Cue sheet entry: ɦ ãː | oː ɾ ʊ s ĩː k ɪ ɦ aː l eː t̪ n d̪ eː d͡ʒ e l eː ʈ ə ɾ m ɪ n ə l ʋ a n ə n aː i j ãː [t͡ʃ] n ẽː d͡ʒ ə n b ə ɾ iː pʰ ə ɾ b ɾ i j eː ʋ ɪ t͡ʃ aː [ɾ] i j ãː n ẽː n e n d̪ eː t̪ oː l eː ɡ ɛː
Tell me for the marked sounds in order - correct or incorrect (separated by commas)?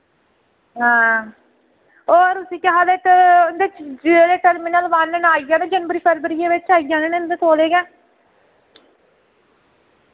incorrect, incorrect